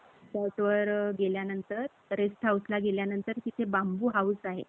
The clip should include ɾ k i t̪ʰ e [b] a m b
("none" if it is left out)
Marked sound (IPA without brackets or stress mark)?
b